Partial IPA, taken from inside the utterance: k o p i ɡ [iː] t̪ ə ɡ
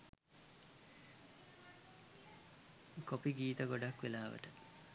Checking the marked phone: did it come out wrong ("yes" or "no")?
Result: no